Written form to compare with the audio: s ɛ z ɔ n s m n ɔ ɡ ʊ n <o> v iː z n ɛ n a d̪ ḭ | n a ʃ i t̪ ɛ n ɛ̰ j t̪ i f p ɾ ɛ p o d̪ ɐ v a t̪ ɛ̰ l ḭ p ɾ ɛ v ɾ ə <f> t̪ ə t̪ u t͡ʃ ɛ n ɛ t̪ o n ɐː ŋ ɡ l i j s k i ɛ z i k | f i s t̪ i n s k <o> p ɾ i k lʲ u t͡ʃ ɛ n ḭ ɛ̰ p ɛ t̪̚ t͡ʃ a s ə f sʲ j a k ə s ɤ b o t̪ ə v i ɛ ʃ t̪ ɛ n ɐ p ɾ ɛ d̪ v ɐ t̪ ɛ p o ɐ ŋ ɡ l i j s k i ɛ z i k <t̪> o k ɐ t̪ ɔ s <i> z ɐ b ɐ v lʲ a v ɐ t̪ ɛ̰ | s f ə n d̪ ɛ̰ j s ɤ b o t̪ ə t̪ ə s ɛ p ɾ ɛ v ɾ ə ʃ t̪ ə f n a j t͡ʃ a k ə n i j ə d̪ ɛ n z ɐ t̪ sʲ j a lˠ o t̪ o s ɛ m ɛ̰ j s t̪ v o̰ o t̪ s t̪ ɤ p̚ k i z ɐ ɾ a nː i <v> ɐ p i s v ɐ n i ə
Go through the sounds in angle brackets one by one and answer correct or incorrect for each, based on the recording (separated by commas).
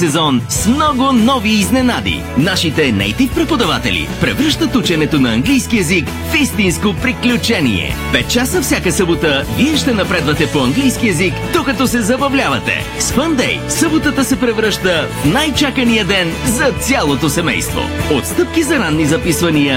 incorrect, incorrect, correct, incorrect, incorrect, incorrect